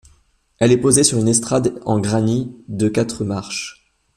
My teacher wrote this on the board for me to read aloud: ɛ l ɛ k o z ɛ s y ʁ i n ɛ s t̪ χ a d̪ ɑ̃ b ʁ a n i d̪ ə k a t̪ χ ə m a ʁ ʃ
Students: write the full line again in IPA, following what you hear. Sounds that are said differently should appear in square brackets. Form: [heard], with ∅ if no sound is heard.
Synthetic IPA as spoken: ɛ l ɛ [p] o z [e] s y ʁ [y] n ɛ s t̪ χ a d̪ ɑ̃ [ɡ] ʁ a n i d̪ ə k a t̪ χ ə m a ʁ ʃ